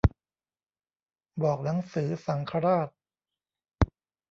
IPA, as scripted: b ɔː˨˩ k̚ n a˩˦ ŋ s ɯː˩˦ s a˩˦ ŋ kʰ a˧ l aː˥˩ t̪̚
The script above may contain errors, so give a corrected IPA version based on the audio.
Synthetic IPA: b ɔː˨˩ k̚ n a˩˦ ŋ s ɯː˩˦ s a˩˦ ŋ kʰ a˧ ɾ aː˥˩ t̪̚